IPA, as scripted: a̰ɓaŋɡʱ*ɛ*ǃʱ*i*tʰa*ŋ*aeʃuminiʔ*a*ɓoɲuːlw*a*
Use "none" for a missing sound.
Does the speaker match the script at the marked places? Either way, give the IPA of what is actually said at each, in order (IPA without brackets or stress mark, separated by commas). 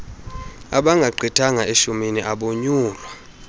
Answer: a, i, ŋ, a, a